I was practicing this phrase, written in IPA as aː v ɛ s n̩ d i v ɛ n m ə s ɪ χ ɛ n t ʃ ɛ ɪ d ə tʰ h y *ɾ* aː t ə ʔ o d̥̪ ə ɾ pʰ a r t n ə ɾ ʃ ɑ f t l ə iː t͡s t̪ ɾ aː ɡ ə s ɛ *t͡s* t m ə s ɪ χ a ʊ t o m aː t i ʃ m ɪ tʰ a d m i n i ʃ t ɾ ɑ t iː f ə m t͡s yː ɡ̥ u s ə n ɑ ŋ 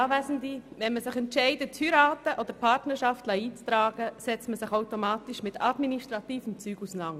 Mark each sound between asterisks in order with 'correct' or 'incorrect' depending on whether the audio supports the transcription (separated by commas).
correct, correct